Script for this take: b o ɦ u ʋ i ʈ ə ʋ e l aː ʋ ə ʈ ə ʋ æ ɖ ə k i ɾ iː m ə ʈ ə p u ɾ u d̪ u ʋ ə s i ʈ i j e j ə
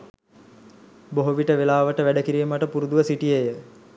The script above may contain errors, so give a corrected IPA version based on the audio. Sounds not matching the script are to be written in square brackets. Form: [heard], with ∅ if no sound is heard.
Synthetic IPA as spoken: b o ɦ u ʋ i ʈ ə ʋ e l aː ʋ ə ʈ ə ʋ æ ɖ ə k i ɾ iː m ə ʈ ə p u ɾ u d̪ u ʋ ə s i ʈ i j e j ə